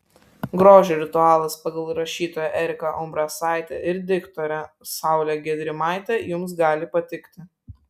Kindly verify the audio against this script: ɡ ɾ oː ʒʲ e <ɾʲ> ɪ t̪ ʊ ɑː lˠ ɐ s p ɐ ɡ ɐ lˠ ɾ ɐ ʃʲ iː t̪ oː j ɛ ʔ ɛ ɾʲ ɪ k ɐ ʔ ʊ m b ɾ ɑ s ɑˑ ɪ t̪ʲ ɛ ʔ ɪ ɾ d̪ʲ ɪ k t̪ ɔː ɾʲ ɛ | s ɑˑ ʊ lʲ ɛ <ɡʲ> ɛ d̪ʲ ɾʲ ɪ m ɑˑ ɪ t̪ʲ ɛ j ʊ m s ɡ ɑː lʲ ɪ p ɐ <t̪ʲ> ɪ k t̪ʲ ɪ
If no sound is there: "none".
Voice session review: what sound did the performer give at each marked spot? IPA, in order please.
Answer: ɾʲ, ɡʲ, t̪ʲ

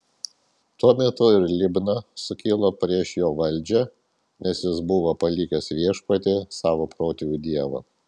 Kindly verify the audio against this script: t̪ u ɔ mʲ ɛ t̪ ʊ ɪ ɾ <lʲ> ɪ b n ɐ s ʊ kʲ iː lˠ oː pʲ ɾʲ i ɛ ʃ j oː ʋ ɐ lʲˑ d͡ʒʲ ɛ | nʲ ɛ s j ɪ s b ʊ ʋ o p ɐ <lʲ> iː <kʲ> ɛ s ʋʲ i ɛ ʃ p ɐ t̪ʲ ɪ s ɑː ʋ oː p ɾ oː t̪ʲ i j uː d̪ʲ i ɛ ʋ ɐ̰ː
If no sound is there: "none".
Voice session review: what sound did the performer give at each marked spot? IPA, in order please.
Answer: lʲ, lʲ, kʲ

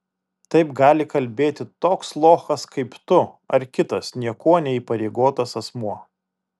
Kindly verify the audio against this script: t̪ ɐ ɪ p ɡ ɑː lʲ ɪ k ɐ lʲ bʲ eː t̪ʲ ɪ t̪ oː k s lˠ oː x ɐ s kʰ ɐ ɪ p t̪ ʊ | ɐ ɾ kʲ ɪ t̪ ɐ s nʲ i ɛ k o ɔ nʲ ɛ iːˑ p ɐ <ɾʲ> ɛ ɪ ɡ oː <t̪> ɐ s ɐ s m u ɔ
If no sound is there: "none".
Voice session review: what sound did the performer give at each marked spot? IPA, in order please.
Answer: ɾʲ, t̪

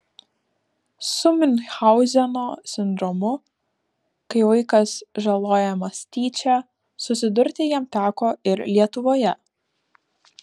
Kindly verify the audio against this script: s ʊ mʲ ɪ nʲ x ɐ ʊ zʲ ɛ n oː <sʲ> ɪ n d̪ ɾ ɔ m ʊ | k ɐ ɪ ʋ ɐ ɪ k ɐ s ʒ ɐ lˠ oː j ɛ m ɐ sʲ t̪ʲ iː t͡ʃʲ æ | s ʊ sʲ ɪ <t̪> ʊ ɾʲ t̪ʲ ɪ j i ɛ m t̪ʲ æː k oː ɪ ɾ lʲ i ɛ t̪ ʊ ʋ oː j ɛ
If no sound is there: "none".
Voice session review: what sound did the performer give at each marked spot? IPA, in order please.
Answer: sʲ, d̪

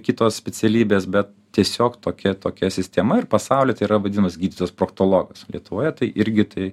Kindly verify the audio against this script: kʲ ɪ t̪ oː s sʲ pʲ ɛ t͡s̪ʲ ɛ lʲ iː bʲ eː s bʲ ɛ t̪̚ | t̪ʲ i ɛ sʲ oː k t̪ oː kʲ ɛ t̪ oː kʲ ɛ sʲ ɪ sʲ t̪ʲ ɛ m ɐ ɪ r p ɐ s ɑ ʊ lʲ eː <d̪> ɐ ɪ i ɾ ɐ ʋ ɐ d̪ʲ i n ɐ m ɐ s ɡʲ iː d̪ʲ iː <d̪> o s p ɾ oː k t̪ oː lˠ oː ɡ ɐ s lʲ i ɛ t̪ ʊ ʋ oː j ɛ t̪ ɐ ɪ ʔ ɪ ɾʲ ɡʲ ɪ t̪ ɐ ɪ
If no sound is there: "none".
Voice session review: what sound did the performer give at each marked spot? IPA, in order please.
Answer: t̪, t̪

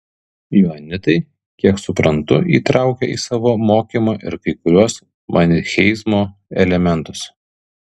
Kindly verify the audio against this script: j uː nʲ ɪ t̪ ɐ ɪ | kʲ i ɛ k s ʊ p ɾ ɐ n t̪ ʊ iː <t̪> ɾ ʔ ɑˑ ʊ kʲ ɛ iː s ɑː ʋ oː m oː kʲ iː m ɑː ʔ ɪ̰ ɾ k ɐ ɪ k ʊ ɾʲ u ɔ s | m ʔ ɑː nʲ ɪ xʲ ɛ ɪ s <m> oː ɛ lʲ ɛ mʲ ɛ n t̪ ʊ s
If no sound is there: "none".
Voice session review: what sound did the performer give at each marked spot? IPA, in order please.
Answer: t̪, m

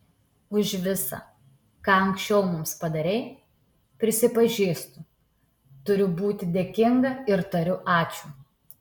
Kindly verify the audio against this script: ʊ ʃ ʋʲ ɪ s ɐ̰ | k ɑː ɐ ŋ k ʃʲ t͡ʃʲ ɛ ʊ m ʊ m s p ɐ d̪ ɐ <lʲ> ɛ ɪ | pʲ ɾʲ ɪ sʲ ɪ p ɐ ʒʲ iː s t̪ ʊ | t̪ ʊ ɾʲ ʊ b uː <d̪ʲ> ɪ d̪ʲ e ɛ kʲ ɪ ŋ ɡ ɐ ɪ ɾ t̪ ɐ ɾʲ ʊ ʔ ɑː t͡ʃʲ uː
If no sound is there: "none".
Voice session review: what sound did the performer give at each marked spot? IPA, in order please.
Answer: ɾʲ, t̪ʲ

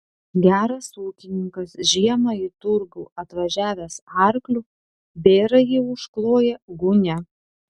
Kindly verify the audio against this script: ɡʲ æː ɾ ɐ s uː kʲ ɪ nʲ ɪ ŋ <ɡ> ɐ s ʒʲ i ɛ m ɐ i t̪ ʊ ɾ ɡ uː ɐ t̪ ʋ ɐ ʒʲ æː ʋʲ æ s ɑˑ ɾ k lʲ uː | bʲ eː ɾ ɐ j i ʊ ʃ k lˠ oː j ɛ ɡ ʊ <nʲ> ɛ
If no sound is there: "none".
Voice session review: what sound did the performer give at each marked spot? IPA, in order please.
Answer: k, nʲ

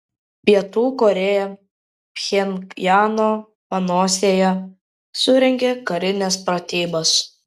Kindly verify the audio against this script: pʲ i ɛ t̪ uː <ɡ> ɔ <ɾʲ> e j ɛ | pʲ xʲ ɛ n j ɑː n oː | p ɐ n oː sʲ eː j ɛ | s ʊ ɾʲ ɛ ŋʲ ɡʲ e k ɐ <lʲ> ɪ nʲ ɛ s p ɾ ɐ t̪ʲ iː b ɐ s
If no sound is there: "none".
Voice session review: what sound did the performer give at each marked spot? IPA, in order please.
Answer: k, ɾʲ, ɾʲ

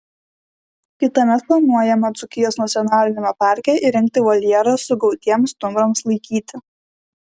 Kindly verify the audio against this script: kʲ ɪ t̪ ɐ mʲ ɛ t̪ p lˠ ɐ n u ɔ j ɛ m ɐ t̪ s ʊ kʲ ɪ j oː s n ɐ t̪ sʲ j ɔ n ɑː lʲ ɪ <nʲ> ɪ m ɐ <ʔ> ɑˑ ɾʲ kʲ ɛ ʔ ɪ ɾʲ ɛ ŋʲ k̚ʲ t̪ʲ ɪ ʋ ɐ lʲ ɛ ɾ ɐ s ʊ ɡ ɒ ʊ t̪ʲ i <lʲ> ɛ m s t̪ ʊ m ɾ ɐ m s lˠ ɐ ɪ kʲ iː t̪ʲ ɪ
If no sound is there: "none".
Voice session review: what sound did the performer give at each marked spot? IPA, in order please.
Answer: nʲ, p, none

